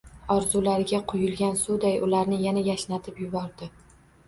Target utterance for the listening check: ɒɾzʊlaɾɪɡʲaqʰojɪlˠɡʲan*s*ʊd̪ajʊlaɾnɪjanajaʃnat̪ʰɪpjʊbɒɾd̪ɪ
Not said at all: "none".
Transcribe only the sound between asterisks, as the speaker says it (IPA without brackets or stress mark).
s